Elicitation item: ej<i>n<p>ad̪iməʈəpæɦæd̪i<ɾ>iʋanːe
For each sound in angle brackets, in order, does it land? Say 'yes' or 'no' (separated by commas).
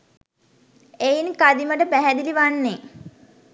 yes, no, no